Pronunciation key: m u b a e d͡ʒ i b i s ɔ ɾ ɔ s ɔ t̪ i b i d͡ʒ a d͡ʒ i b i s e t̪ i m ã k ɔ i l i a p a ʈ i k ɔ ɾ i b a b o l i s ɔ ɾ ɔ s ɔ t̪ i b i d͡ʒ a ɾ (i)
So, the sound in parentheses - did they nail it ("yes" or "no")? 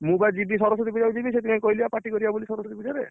no